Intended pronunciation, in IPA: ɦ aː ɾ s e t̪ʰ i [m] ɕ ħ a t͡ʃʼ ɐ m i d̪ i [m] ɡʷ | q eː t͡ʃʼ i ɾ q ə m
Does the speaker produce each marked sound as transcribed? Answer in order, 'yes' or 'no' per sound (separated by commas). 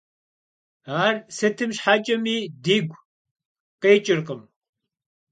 yes, no